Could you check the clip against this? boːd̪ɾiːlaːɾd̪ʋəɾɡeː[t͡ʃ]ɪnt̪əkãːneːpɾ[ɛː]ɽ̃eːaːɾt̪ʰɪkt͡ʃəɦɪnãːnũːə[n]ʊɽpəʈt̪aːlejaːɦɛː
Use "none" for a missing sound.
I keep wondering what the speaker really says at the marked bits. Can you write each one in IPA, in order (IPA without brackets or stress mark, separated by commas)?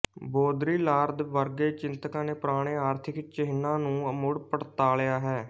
t͡ʃ, aː, m